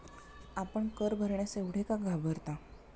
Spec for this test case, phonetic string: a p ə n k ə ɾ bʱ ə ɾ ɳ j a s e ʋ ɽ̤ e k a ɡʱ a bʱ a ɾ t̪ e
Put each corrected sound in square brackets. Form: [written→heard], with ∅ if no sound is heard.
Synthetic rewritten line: a p ə [n→ɳ] k ə ɾ bʱ ə ɾ ɳ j a s e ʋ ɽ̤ e k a ɡʱ a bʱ [a→ə] ɾ t̪ [e→a]